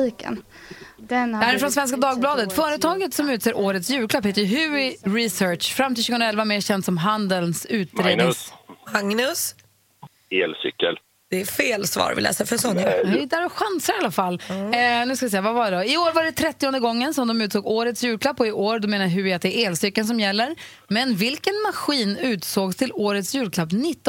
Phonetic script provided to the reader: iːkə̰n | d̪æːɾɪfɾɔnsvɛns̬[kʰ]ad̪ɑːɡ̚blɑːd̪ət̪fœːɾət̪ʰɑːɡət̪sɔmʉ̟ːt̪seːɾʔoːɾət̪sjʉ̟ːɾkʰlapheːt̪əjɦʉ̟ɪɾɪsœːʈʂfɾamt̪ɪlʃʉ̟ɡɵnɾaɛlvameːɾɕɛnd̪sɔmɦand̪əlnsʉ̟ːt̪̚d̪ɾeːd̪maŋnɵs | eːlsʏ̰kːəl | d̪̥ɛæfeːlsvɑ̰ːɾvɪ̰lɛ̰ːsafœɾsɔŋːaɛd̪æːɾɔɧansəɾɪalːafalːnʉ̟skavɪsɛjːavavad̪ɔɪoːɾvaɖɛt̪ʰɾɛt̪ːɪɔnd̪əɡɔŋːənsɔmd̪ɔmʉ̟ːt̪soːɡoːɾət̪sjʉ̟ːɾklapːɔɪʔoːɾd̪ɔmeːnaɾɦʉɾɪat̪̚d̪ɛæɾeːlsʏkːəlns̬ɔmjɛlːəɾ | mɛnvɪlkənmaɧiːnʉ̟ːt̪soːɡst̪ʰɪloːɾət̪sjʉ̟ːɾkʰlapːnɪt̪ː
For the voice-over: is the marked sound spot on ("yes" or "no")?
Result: no